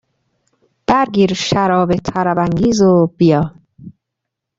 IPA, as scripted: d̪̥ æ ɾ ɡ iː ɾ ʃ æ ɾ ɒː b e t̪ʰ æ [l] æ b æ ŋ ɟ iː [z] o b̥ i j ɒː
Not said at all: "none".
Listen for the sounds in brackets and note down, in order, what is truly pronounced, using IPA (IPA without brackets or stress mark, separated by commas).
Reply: ɾ, z